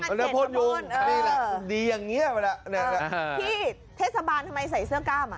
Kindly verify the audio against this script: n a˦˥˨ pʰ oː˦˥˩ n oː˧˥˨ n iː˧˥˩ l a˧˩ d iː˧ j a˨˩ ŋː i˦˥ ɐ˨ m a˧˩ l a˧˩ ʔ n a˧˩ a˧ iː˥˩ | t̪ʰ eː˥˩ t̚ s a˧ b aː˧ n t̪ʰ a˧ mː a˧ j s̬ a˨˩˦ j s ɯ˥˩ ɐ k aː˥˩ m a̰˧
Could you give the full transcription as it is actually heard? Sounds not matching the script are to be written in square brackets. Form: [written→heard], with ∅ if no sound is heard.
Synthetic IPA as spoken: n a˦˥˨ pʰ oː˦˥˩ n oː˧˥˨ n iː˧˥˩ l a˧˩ d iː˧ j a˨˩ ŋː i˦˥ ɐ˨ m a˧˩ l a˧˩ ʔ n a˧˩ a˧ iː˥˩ | t̪ʰ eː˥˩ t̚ s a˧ b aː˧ n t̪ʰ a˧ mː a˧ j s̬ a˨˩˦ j s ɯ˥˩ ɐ k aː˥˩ m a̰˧